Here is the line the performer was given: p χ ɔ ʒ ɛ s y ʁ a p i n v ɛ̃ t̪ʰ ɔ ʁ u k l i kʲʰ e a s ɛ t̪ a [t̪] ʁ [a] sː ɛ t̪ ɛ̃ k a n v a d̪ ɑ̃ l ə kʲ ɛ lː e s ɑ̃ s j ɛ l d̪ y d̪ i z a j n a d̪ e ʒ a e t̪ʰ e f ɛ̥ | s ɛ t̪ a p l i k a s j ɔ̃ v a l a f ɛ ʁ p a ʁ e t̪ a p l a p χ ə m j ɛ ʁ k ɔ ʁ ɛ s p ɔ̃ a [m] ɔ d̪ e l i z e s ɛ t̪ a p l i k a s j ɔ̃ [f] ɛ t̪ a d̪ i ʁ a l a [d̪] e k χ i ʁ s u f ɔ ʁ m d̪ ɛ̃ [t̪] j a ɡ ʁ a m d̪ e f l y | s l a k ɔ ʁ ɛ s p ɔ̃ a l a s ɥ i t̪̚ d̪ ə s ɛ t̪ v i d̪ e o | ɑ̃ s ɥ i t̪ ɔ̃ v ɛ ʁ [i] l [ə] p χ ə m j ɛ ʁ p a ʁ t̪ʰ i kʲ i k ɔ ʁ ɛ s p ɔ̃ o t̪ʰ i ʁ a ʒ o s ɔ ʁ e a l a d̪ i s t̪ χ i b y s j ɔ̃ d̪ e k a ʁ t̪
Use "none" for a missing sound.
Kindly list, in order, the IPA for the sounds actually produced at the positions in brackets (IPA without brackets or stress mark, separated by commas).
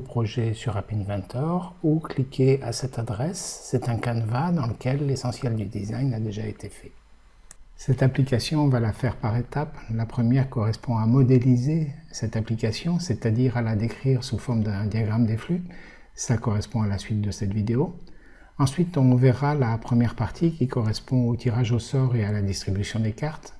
d̪, ɛ, m, s, d̪, d̪, a, a